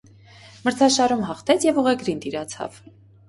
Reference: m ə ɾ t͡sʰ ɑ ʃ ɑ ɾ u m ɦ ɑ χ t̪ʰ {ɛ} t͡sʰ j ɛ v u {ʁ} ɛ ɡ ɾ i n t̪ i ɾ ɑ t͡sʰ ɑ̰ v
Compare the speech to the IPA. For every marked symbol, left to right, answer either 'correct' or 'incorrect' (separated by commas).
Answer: correct, correct